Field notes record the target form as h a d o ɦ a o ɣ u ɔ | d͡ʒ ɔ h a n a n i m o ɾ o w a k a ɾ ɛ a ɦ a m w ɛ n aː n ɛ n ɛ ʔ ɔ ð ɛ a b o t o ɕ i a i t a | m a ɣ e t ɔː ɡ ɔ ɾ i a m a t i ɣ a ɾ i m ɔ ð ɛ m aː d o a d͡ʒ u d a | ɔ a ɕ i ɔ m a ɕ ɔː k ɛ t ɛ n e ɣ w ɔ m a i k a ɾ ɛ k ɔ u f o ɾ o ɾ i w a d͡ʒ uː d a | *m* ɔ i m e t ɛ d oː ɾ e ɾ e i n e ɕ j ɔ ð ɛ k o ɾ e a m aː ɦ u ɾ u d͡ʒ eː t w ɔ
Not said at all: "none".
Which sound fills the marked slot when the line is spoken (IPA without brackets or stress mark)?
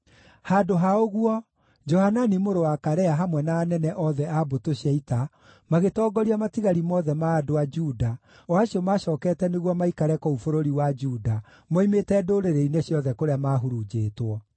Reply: m